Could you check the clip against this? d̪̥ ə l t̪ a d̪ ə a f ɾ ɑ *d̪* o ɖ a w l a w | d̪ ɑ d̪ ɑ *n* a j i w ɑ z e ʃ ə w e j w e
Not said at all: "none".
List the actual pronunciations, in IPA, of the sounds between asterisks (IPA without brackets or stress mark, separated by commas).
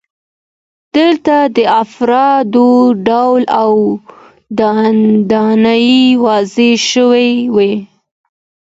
d̪, n